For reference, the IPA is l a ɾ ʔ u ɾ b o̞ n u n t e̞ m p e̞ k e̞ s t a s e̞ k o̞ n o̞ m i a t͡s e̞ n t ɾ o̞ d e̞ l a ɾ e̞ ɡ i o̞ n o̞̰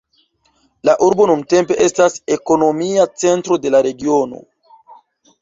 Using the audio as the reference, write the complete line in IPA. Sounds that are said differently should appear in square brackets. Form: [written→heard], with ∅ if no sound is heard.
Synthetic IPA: l a [ɾ→∅] ʔ u ɾ b o̞ n u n t e̞ m p e̞ [k→ʔ] e̞ s t a s e̞ k o̞ n o̞ m i a t͡s e̞ n t ɾ o̞ d e̞ l a ɾ e̞ ɡ i o̞ n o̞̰